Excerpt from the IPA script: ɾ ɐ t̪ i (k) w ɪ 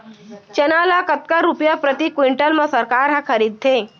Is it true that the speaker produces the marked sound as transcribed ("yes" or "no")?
yes